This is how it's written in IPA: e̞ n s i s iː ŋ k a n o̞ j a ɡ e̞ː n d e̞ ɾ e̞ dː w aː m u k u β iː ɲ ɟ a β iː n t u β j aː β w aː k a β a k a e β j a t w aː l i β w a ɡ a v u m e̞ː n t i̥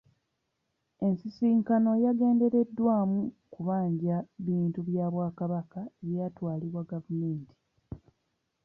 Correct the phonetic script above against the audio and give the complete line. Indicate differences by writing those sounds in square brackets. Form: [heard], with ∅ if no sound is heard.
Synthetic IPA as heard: e̞ n s i s iː ŋ k a n o̞ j a ɡ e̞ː n d e̞ ɾ e̞ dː w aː m u k u β [aː] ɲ ɟ a β iː n t u β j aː β w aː k a β a k a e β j a t w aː l i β w a ɡ a v u m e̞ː n t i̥